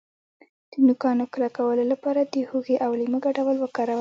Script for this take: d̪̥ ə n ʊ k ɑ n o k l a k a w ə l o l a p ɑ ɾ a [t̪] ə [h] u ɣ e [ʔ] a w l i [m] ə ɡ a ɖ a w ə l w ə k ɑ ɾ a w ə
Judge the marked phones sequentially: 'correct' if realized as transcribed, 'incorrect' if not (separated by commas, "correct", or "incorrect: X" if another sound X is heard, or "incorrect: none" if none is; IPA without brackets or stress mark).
incorrect: d̪, correct, correct, correct